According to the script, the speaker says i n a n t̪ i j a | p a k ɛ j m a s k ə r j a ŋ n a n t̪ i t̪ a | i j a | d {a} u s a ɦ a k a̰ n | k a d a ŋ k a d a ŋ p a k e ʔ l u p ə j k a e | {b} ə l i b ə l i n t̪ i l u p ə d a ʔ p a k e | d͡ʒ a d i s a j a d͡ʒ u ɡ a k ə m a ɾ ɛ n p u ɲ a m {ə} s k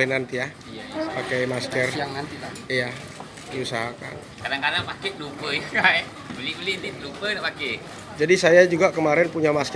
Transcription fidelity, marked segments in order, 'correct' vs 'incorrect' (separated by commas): incorrect, correct, incorrect